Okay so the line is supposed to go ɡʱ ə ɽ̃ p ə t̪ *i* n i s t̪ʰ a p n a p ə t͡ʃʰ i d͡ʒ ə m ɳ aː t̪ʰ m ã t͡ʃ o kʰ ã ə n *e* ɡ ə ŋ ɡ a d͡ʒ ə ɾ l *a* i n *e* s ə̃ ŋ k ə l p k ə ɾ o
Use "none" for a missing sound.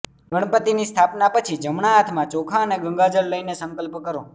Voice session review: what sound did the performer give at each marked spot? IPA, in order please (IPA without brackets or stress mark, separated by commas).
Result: i, e, ə, e